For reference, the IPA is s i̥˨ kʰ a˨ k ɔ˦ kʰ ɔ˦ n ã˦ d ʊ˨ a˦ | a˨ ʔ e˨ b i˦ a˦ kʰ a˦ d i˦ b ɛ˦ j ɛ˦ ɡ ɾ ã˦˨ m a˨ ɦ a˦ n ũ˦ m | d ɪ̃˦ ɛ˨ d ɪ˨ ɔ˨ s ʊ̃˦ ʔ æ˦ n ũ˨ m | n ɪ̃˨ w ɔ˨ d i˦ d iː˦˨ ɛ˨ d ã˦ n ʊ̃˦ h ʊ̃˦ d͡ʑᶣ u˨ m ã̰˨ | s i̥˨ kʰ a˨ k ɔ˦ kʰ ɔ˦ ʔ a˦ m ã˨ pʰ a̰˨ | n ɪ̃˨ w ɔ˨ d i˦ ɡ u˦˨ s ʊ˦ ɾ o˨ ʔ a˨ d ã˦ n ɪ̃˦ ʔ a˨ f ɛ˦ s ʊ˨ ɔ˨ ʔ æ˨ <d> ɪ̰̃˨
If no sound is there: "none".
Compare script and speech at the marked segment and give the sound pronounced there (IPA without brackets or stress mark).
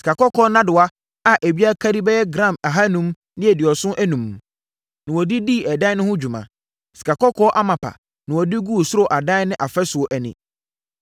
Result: n